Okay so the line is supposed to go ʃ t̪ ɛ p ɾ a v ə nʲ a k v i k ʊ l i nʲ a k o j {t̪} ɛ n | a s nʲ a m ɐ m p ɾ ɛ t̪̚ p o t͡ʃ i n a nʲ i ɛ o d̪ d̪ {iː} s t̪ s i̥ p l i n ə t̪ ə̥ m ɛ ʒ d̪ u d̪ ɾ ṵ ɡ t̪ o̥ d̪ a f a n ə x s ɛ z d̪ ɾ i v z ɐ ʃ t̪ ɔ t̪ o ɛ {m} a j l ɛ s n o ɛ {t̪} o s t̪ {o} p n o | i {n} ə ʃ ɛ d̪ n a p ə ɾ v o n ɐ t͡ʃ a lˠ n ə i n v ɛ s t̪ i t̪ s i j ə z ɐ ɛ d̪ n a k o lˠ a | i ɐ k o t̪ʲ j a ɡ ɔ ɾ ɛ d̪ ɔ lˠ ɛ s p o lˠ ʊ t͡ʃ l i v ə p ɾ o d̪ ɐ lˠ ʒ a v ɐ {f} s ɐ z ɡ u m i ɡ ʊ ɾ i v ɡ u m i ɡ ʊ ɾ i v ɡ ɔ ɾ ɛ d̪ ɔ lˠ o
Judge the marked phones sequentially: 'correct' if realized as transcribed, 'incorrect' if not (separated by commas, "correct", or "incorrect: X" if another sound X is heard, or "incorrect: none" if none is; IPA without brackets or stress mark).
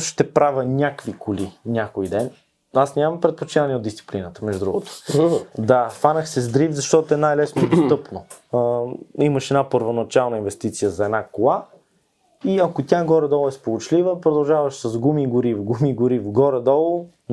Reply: incorrect: d̪, incorrect: i, incorrect: n, incorrect: d̪, incorrect: ɤ, incorrect: m, incorrect: ʃ